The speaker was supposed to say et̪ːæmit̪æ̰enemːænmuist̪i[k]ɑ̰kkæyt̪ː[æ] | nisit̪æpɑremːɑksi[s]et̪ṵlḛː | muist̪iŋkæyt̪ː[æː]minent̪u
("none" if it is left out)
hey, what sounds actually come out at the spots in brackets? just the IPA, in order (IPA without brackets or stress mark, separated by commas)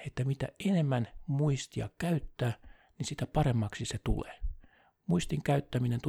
none, æː, s, æ